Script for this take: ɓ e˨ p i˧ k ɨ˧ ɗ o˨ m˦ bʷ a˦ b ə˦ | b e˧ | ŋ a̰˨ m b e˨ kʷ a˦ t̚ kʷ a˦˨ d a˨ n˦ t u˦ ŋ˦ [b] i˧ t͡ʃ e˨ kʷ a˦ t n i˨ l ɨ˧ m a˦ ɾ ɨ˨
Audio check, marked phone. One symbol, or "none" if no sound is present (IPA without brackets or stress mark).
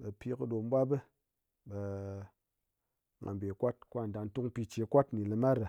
p